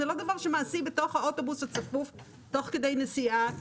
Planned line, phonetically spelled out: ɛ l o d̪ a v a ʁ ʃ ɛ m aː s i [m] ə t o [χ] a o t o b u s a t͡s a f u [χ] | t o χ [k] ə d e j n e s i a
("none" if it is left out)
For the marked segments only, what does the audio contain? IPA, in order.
b, χ, f, k

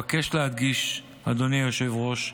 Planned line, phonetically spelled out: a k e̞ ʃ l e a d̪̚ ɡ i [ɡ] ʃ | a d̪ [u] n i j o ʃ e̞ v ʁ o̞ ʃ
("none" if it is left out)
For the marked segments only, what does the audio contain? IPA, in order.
none, o

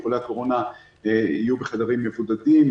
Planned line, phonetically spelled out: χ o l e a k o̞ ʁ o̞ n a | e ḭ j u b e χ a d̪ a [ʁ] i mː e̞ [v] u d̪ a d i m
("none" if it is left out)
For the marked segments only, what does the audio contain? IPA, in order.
ʁ, v

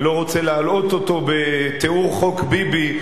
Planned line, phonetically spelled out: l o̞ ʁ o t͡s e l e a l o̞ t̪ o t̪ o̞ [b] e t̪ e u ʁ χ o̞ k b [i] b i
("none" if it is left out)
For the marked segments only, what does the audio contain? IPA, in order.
b, i

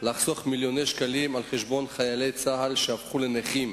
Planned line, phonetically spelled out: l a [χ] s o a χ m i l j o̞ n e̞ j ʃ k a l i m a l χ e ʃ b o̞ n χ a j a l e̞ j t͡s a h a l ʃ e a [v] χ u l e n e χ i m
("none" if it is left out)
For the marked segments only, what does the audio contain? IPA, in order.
χ, f

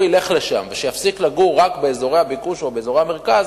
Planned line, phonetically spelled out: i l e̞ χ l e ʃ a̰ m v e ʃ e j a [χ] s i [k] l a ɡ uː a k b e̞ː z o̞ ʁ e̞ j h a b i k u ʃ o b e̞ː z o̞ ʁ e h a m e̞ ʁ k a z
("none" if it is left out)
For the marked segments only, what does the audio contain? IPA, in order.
f, k

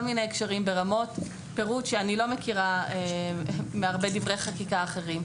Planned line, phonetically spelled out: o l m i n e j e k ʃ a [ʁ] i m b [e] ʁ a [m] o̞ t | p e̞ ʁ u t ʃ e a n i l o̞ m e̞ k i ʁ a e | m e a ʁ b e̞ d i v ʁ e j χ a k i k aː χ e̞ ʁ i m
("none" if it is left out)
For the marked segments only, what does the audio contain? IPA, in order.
ʁ, e, m

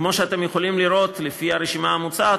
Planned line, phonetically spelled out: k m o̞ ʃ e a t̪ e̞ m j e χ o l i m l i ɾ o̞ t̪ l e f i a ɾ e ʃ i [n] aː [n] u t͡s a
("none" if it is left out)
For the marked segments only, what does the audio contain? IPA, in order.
m, m

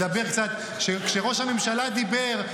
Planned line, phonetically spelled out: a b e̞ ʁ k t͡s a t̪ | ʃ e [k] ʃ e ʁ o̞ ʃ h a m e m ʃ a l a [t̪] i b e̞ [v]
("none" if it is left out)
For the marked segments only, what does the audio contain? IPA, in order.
k, d̪, ʁ

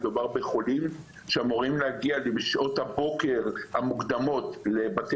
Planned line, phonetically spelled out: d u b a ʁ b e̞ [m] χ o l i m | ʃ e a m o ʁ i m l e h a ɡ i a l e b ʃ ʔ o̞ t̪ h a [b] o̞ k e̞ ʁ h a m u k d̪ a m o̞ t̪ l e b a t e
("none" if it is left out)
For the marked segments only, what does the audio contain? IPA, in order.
none, b

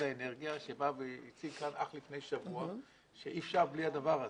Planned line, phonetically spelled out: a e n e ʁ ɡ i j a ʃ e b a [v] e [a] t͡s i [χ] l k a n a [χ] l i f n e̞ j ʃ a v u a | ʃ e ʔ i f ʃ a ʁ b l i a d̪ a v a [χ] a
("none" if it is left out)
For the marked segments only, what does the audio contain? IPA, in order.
v, i, none, χ, ʁ

